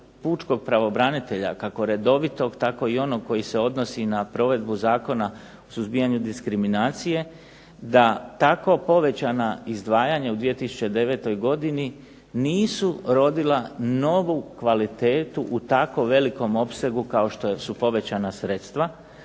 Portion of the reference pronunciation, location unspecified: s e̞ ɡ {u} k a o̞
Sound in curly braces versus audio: correct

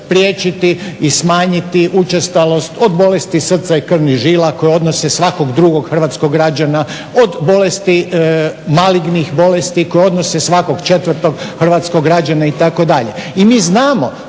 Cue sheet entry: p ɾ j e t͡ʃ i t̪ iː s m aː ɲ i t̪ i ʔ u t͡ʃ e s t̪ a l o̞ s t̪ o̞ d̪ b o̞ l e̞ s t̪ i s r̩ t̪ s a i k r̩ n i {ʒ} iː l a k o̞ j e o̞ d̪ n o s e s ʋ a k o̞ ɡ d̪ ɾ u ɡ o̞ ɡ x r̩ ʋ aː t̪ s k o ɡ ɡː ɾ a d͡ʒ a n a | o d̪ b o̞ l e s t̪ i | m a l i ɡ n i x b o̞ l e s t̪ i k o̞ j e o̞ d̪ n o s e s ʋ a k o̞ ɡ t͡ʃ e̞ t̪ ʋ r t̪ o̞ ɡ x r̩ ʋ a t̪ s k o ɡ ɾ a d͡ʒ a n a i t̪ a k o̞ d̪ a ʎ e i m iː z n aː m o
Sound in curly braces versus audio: correct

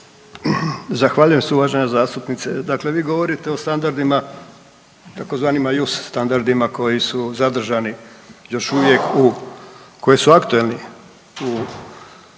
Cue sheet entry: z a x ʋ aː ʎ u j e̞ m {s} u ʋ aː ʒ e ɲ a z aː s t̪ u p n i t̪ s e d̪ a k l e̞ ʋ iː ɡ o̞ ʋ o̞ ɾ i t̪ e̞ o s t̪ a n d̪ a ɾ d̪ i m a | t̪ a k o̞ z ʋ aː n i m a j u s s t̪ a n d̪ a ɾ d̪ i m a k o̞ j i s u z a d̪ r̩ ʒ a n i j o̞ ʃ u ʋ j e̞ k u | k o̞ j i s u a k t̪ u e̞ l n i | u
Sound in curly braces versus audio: correct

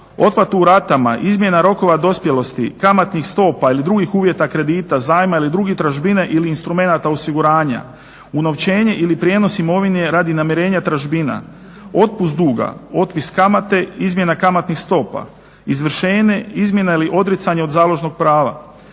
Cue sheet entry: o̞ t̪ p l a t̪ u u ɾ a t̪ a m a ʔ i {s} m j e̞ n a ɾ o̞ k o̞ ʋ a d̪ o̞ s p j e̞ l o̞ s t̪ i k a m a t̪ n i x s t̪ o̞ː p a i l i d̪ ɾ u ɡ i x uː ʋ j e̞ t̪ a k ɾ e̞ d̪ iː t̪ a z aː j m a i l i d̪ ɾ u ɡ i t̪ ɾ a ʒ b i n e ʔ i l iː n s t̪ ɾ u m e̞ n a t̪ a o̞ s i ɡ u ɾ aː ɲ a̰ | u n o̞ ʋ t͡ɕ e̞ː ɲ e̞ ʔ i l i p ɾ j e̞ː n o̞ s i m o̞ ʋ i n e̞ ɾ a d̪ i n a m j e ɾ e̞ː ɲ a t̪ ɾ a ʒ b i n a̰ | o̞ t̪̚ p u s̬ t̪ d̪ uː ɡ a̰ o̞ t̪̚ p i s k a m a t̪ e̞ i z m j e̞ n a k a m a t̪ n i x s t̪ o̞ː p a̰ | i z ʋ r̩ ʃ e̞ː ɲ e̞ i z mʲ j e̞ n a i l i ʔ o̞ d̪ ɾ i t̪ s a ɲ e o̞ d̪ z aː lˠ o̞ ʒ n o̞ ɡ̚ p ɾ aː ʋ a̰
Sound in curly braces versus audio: incorrect: z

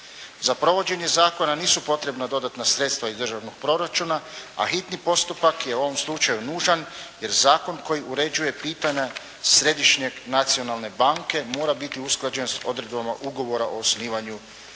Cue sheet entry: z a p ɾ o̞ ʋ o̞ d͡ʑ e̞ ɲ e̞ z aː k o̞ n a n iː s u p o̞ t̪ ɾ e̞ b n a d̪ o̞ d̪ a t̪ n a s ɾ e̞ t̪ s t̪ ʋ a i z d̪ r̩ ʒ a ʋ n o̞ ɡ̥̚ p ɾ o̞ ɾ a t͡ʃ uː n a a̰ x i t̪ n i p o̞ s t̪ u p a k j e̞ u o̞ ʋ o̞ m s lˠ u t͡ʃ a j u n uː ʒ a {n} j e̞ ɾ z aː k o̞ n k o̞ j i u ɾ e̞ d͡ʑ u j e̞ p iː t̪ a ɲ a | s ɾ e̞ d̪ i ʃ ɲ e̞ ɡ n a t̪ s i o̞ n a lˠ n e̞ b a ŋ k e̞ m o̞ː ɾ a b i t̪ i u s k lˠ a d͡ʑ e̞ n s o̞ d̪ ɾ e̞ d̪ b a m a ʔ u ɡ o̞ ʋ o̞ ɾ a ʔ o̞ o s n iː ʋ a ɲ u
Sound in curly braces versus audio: correct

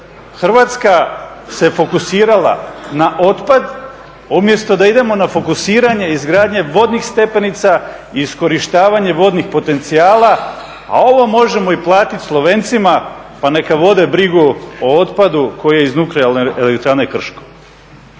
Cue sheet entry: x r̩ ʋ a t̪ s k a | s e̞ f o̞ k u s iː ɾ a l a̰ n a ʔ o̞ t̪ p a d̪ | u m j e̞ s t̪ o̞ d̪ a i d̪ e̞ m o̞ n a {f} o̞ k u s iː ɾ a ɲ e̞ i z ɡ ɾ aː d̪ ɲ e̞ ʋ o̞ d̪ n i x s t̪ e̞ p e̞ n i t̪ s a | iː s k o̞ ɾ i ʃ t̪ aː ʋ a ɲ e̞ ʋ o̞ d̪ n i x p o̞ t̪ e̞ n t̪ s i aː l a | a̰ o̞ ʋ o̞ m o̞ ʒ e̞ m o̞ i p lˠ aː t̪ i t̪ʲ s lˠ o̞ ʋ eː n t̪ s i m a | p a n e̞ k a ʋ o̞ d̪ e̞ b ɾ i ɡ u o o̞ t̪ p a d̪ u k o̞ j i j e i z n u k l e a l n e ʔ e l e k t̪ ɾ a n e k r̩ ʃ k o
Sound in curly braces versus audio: correct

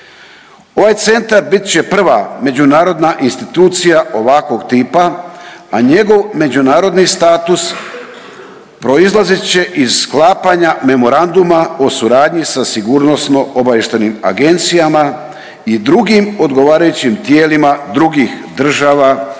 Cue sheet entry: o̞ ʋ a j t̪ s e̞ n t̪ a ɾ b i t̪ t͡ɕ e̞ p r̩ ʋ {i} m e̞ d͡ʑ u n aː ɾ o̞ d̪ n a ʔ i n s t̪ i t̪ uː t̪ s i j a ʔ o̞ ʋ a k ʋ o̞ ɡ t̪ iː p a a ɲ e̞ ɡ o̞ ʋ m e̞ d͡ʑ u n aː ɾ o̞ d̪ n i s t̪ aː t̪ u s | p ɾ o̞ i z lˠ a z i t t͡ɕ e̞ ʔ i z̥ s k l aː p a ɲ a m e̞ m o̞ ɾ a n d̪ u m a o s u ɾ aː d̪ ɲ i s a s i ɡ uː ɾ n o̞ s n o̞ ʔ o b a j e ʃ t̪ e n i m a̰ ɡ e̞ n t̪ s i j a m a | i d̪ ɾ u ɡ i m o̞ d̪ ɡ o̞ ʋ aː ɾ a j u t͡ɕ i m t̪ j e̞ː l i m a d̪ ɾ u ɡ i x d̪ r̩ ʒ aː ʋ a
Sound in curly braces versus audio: incorrect: a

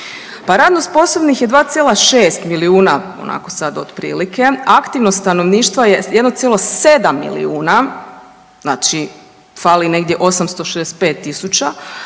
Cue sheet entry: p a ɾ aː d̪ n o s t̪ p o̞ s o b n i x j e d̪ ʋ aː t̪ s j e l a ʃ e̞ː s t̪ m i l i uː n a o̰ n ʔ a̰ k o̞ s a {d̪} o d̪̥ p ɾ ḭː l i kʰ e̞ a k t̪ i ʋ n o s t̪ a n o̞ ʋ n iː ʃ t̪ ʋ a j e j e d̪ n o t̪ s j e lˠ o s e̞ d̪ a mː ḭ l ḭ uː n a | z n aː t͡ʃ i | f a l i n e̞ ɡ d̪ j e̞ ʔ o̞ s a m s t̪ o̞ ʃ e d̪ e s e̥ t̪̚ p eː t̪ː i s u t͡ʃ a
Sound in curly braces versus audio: correct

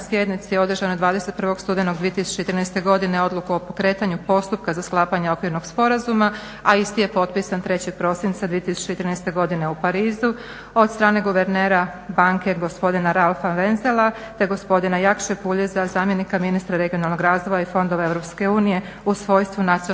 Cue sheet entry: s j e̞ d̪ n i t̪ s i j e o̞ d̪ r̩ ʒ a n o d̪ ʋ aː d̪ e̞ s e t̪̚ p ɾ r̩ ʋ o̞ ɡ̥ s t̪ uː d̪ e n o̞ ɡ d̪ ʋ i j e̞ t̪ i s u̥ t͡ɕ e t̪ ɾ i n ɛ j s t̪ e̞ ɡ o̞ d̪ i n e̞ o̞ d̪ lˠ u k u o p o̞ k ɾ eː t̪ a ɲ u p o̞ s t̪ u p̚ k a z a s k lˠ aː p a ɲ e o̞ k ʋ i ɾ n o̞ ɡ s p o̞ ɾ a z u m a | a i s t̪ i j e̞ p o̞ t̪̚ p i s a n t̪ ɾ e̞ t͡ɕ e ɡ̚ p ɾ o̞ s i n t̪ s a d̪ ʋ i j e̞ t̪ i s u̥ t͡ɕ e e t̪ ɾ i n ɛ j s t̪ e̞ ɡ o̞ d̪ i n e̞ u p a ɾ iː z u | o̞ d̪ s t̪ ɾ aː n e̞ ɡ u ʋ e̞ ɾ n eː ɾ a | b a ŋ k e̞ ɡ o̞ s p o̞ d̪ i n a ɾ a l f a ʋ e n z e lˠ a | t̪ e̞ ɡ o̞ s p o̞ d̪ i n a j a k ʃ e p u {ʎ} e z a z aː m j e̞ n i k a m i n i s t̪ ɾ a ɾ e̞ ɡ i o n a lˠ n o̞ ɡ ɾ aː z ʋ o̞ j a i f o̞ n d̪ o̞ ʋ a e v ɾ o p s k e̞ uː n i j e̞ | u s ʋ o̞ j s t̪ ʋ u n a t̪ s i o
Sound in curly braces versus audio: correct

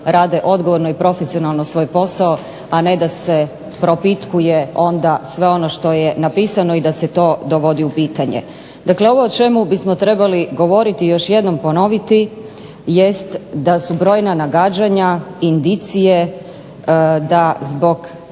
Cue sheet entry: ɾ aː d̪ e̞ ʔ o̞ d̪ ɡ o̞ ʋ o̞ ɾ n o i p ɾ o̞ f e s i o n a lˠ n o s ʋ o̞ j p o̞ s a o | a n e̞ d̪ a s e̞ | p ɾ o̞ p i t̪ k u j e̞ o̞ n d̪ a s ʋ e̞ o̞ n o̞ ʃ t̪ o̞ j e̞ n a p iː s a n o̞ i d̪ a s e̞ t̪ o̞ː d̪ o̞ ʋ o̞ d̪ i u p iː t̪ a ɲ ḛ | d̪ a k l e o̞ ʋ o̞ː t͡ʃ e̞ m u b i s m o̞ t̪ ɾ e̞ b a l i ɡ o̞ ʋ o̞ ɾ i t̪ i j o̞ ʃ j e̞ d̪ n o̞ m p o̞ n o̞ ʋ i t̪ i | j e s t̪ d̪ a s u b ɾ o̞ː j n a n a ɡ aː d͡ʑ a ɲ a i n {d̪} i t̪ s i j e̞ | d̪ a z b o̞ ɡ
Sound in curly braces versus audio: correct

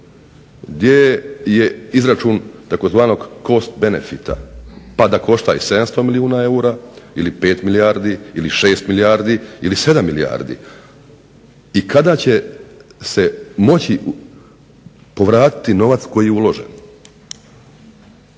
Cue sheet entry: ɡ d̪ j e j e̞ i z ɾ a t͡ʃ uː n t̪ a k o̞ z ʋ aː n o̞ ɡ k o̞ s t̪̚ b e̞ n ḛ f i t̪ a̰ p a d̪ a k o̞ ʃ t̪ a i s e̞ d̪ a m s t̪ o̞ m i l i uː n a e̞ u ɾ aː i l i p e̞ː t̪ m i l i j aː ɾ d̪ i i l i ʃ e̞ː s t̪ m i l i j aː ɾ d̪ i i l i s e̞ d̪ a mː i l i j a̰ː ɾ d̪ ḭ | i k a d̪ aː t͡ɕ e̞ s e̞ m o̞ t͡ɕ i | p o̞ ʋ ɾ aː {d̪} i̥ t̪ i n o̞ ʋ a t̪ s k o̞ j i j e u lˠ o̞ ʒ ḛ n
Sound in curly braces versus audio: incorrect: t̪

